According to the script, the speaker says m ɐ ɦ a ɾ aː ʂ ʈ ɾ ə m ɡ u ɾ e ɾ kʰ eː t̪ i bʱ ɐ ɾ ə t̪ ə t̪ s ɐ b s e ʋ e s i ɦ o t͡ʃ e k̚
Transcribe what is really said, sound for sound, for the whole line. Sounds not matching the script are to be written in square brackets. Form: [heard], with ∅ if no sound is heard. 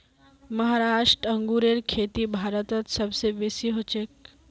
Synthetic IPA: m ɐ ɦ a ɾ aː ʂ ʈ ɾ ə [ŋ] ɡ u ɾ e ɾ kʰ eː t̪ i bʱ [a] ɾ ə t̪ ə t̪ s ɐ b s e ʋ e s i ɦ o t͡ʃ e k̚